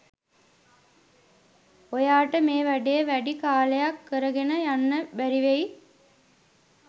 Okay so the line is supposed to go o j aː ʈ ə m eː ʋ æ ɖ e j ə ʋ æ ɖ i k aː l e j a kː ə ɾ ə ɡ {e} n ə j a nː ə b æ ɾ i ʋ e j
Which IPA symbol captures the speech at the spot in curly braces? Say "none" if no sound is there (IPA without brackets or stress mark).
e